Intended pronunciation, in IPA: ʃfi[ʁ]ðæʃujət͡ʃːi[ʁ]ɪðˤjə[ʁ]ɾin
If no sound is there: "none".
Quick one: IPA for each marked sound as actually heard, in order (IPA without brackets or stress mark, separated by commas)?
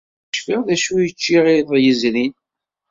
ʁ, ʁ, z